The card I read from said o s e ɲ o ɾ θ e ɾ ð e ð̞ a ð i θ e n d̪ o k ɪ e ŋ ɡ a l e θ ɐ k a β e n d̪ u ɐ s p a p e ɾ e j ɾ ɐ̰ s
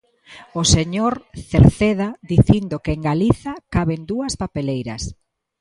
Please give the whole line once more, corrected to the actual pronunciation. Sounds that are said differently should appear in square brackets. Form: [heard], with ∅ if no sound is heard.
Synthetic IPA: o s e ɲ o ɾ θ e ɾ [θ] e ð̞ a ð i θ [i] n d̪ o k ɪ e ŋ ɡ a l [i] θ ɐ k a β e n d̪ u ɐ s p a p e [l] e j ɾ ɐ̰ s